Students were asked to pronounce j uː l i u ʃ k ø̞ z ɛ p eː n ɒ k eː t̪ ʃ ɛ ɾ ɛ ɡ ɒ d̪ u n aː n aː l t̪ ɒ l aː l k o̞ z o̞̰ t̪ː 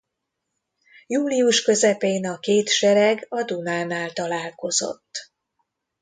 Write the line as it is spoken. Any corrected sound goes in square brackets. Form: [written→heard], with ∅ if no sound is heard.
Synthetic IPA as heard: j uː l i u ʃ k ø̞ z ɛ p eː n ɒ k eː t̪ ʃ ɛ ɾ ɛ ɡ ɒ d̪ u n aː n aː l t̪ ɒ l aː l k o̞ z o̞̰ t̪ː